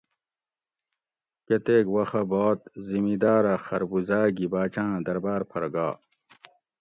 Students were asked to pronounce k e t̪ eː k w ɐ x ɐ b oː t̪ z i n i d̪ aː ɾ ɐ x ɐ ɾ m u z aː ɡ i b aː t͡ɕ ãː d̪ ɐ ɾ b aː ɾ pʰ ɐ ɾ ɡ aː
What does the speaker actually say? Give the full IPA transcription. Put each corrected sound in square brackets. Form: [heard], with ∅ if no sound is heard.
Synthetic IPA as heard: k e t̪ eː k w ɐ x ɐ b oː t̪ z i [m] i d̪ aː ɾ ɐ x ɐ ɾ [b] u z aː ɡ i b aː t͡ɕ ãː d̪ ɐ ɾ b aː ɾ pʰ ɐ ɾ ɡ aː